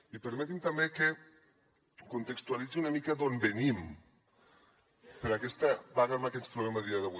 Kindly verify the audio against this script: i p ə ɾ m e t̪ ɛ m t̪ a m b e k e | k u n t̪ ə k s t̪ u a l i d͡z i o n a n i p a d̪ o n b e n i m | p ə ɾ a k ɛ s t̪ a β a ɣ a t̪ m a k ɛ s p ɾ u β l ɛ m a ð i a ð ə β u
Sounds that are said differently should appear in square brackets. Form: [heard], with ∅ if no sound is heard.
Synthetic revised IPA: i p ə ɾ m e t̪ [i] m t̪ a m b e k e | k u n t̪ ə k s t̪ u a l i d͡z i [u] n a [m] i [k] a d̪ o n b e n i m | p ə ɾ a k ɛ s t̪ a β a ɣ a [∅] m a k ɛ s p ɾ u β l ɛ m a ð i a ð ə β u